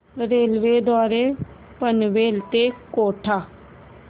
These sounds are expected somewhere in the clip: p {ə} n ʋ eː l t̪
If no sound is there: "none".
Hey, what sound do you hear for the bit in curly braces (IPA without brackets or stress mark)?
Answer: ə